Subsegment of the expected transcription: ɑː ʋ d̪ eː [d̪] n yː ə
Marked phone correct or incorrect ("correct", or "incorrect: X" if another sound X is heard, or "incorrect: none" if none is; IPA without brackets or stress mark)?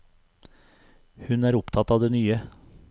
incorrect: none